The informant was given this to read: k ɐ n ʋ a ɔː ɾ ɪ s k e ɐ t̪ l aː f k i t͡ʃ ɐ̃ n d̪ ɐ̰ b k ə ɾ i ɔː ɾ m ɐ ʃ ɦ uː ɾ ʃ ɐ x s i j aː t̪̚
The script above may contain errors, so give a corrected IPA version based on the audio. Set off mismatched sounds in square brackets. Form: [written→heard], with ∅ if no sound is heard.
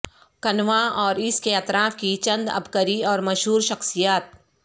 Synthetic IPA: k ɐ n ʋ a ɔː ɾ ɪ s k e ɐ t̪ [l→ɾ] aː f k i t͡ʃ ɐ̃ n d̪ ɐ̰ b k ə ɾ i ɔː ɾ m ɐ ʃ ɦ uː ɾ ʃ ɐ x s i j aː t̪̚